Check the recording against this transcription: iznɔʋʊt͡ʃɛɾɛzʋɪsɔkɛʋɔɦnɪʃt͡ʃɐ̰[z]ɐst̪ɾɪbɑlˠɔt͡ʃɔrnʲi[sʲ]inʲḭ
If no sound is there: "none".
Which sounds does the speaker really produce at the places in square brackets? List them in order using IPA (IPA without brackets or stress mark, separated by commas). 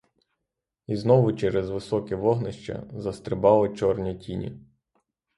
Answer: z, tʲ